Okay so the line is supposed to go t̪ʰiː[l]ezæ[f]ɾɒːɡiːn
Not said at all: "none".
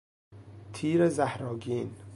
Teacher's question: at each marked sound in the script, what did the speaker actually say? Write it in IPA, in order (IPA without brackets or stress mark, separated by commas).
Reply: ɾ, h